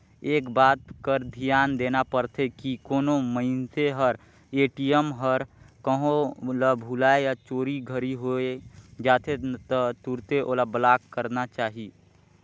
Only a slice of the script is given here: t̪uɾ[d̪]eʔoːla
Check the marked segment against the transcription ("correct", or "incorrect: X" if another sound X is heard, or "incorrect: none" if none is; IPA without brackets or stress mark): incorrect: t̪